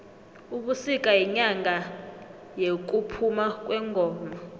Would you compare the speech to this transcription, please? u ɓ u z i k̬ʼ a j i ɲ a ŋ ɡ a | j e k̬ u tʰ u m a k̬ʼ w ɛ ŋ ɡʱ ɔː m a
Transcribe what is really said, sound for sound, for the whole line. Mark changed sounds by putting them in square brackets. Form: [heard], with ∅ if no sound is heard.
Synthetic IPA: u ɓ u [s] i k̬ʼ a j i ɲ a ŋ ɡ a | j e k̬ u [pʰ] u m a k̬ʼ w ɛ ŋ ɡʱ ɔː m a